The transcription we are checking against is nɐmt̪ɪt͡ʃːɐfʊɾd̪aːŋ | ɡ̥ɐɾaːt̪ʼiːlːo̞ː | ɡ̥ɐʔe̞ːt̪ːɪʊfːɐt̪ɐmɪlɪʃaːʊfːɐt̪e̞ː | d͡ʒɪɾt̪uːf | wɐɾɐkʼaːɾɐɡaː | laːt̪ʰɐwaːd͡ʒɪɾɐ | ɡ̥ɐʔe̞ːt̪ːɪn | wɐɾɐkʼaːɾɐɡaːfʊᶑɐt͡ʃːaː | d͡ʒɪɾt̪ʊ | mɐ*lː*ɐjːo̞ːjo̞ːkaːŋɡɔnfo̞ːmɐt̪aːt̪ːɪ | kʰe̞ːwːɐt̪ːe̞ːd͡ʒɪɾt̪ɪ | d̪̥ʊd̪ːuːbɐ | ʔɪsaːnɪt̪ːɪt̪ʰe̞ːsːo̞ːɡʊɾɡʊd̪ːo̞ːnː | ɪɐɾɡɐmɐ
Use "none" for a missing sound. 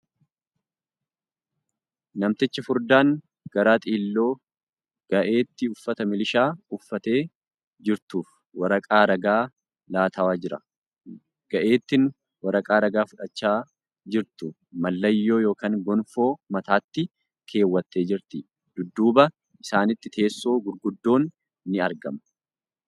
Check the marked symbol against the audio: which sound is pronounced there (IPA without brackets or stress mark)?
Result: lː